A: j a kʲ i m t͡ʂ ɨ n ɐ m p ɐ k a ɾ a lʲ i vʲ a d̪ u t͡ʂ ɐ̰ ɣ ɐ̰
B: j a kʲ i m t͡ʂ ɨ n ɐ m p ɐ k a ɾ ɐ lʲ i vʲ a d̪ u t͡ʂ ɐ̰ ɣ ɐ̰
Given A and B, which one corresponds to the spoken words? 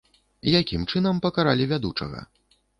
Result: A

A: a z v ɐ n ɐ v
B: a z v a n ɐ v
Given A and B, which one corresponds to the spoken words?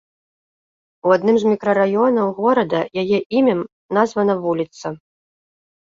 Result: A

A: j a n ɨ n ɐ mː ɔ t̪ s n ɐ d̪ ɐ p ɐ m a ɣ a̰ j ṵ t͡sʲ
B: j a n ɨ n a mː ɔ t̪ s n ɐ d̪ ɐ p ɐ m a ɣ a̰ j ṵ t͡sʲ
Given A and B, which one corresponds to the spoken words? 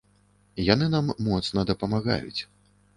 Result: B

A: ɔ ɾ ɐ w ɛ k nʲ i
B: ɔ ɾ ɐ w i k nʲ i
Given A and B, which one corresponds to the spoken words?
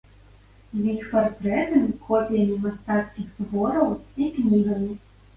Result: B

